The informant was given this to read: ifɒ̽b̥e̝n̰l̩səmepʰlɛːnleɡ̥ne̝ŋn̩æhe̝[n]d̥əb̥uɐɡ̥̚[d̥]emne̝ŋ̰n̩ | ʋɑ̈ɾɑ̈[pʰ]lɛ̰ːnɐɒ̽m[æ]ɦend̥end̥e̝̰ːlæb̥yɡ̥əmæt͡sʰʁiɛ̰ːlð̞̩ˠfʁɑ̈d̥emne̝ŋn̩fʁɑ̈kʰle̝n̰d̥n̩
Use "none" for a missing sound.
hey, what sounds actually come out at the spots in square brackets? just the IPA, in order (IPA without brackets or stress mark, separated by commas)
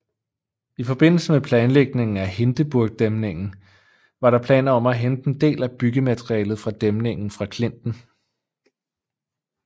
n, d̥, pʰ, æ